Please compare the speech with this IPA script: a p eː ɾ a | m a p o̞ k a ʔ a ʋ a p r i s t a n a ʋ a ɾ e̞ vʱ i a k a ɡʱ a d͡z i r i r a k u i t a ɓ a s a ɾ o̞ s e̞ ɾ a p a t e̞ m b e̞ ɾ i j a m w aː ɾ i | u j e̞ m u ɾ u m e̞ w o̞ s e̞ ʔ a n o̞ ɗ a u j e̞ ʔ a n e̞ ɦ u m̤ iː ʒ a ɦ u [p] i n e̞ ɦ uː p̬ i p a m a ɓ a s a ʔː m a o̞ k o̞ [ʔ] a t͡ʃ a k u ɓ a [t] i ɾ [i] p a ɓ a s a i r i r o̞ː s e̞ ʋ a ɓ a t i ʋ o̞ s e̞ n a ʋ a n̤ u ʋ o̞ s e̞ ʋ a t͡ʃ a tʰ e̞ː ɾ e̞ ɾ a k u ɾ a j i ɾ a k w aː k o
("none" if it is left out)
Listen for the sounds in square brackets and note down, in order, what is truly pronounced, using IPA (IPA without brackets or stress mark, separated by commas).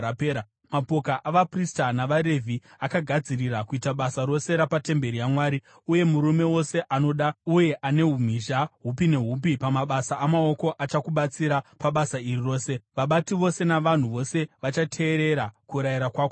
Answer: p, ʔ, t͡s, a